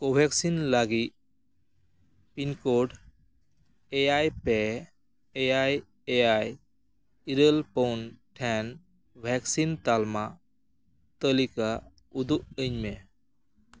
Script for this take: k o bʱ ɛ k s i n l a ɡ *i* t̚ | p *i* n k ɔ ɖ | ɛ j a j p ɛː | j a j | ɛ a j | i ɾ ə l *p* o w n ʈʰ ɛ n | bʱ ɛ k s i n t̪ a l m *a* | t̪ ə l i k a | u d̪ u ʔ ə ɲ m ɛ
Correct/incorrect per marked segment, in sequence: correct, correct, correct, correct

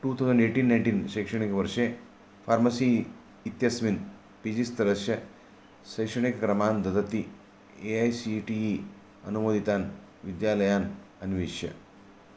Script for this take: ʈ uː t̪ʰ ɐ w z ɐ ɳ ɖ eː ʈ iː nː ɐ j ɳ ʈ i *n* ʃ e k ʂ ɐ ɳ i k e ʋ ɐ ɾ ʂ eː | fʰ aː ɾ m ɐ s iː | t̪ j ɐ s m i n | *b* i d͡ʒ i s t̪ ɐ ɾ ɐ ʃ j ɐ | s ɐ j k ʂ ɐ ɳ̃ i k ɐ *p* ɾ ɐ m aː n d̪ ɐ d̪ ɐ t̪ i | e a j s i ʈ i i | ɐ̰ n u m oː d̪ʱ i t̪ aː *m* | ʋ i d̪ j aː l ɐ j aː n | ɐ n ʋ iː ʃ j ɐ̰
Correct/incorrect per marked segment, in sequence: correct, incorrect: p, incorrect: k, incorrect: n

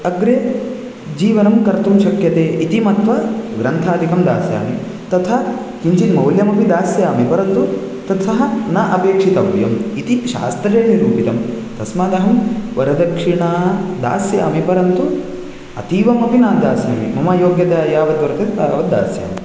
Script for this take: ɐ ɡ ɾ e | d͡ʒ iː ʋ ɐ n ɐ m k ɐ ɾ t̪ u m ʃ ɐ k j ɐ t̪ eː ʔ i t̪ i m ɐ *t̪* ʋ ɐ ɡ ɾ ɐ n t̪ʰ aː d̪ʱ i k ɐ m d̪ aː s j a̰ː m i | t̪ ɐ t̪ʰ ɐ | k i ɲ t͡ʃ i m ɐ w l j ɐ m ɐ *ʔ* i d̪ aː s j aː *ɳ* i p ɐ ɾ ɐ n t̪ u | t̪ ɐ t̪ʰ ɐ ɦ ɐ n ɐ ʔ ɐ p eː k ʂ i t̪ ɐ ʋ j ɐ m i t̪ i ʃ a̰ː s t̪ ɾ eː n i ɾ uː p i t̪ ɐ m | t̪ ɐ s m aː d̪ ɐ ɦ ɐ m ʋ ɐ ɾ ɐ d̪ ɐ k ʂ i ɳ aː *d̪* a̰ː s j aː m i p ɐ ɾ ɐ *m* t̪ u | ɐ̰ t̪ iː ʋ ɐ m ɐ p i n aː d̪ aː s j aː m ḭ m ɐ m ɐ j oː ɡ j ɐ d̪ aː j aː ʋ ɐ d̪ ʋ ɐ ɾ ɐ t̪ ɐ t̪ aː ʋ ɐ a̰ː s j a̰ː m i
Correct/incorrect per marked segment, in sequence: correct, incorrect: p, incorrect: m, correct, incorrect: n

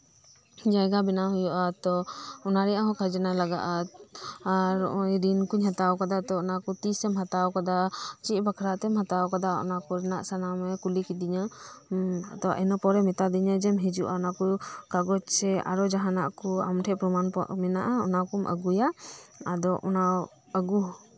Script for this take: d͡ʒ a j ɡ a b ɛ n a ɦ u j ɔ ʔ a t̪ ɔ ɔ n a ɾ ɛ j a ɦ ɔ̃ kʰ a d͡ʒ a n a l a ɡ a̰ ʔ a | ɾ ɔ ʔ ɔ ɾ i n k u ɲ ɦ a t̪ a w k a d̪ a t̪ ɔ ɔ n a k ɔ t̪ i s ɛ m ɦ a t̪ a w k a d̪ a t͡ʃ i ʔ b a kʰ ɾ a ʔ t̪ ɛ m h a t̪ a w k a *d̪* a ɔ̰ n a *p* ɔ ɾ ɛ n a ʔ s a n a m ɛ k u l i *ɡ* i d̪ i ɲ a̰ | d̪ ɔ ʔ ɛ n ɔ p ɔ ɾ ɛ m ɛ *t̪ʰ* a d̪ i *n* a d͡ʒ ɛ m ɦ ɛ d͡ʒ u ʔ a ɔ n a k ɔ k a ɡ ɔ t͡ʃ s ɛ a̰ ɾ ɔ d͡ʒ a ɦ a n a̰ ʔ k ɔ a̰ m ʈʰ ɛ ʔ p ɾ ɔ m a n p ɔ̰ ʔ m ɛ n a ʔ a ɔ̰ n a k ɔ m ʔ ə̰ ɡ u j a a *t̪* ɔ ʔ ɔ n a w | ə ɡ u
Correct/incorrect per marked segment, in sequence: correct, incorrect: k, incorrect: k, incorrect: t̪, incorrect: ɲ, incorrect: d̪

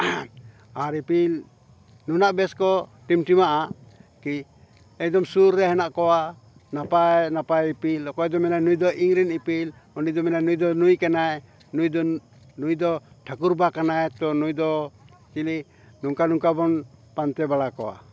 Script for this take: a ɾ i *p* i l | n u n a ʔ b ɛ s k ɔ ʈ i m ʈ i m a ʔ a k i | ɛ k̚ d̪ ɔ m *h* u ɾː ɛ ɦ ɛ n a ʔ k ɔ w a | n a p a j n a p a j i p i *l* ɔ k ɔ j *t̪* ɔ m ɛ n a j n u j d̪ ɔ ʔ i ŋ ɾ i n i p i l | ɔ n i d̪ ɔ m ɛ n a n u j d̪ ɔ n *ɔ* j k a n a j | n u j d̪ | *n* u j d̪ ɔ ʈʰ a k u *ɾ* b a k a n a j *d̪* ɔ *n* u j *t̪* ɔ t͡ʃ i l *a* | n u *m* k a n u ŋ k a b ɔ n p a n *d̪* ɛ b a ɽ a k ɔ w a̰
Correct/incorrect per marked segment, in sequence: correct, incorrect: s, correct, incorrect: d̪, incorrect: u, correct, correct, incorrect: t̪, correct, incorrect: d̪, incorrect: i, incorrect: ŋ, incorrect: t̪

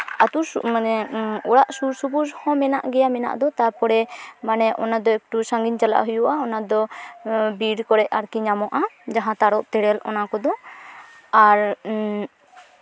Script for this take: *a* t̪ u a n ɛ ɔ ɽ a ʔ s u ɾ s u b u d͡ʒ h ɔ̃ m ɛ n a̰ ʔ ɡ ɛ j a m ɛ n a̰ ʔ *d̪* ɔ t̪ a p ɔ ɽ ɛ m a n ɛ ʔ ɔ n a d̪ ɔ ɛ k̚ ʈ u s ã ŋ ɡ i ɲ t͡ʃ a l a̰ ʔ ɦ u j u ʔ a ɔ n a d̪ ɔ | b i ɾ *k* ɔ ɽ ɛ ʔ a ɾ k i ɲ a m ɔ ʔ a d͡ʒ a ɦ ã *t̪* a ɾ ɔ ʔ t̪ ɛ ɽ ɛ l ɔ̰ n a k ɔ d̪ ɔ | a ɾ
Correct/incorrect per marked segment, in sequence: correct, correct, correct, correct

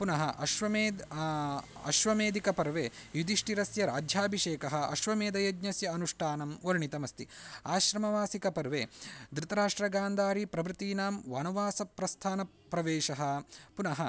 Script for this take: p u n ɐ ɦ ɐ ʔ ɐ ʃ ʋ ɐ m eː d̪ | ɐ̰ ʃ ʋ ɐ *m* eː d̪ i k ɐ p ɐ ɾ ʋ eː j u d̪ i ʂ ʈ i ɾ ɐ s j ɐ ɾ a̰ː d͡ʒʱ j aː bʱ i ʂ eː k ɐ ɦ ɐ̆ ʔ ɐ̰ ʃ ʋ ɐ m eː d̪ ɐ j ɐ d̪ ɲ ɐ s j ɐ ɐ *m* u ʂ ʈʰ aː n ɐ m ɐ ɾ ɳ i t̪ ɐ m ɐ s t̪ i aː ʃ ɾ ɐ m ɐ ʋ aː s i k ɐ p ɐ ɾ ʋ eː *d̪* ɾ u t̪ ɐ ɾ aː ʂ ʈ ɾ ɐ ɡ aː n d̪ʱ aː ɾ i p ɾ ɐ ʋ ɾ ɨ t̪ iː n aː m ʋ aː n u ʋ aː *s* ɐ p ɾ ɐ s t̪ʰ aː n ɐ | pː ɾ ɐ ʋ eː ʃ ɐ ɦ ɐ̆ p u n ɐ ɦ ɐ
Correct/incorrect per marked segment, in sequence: correct, incorrect: n, correct, correct

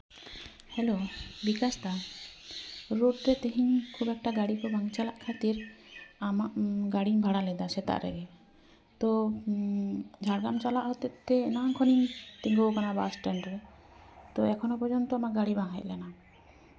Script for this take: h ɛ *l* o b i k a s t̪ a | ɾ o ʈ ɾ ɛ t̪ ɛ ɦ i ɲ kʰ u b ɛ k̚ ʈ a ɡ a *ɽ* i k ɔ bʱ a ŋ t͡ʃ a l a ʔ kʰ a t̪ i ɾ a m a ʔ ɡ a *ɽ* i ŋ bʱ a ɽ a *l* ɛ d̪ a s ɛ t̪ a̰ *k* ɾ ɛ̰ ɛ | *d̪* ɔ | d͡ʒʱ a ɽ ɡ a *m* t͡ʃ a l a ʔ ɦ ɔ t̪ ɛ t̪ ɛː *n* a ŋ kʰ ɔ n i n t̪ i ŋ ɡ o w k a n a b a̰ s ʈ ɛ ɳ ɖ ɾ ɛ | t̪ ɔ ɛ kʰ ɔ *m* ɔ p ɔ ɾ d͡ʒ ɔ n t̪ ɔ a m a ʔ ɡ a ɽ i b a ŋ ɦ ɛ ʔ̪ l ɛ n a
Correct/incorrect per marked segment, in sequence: correct, correct, correct, correct, incorrect: ʔ, incorrect: t̪, correct, correct, incorrect: n

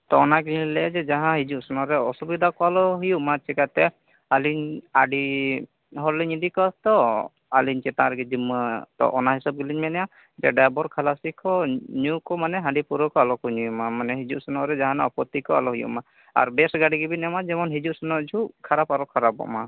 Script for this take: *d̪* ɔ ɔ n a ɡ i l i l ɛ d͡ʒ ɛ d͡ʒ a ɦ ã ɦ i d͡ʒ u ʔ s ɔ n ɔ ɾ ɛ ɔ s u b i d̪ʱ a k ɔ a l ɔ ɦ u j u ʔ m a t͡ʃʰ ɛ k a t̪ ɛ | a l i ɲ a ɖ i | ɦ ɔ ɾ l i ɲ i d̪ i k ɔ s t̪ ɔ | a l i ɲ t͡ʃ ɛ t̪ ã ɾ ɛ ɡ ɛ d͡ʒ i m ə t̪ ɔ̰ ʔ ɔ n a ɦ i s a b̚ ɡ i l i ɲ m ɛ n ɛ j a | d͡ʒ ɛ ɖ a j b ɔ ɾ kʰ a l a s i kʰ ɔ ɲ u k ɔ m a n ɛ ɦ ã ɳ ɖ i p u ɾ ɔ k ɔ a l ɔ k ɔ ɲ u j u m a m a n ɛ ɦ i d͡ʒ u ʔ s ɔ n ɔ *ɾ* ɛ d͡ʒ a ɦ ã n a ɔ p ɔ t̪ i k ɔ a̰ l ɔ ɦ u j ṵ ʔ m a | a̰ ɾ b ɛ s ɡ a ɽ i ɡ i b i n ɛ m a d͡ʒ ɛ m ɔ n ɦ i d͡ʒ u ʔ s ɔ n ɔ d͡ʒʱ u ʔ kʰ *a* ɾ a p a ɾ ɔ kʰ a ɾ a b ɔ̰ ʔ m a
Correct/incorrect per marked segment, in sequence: incorrect: t̪, correct, correct

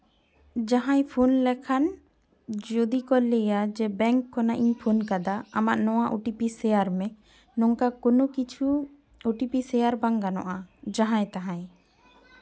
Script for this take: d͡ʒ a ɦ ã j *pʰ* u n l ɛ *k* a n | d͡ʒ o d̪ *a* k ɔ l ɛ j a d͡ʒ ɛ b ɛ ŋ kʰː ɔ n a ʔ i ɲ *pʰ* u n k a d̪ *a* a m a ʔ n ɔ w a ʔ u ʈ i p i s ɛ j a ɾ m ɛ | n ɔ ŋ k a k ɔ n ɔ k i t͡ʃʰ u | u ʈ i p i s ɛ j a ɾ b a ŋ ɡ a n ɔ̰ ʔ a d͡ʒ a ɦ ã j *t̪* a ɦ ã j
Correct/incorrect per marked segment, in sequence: correct, incorrect: kʰ, incorrect: i, correct, correct, correct

